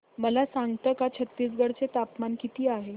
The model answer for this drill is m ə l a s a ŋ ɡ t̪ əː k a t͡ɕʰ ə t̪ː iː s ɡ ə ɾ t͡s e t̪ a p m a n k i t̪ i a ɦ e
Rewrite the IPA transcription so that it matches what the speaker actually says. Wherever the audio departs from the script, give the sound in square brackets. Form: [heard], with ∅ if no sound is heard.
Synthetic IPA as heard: m ə l a s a ŋ ɡ t̪ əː k a t͡ɕʰ ə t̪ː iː s ɡ ə [ɽ] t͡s e t̪ a p m a n k i t̪ [iː] a ɦ e